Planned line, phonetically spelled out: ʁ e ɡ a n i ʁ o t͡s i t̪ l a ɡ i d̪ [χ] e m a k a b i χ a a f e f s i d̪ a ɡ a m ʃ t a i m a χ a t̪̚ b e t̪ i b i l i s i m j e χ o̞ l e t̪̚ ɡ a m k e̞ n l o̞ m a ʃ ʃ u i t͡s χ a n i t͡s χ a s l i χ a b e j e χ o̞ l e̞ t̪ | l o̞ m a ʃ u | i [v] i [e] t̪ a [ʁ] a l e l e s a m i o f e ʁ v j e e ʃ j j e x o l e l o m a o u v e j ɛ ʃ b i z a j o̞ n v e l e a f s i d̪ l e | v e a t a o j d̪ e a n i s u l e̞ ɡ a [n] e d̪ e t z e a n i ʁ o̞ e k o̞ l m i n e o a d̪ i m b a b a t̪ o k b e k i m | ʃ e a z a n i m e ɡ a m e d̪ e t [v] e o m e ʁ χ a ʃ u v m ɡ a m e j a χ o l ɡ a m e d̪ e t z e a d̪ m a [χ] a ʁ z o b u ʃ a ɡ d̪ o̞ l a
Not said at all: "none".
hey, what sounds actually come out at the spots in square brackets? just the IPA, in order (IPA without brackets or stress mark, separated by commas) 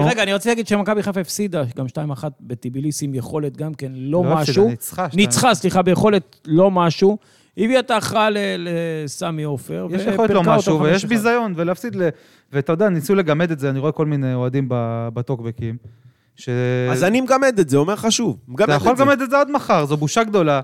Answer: ʃ, v, a, χ, m, z, χ